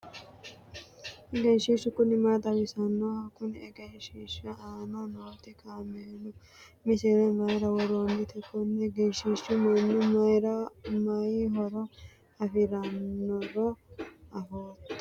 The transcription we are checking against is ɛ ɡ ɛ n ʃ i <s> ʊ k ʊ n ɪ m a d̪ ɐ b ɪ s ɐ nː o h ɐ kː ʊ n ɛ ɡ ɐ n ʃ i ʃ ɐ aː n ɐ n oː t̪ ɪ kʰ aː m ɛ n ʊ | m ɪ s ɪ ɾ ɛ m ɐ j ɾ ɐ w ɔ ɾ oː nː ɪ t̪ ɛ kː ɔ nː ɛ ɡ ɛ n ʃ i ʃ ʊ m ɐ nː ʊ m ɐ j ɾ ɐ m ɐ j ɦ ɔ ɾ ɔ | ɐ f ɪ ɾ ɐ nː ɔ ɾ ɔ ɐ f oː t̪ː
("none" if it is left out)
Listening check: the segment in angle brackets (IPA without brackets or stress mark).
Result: ʃ